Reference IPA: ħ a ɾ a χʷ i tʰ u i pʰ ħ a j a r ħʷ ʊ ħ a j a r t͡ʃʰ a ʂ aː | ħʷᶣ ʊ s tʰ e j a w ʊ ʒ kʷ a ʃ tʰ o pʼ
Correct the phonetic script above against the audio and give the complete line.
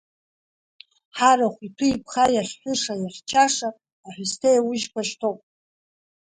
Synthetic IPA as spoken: ħ a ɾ a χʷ i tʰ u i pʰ χ a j a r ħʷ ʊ ʂ a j a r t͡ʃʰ a ʂ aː | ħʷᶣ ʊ s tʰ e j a w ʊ ʒ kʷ a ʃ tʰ o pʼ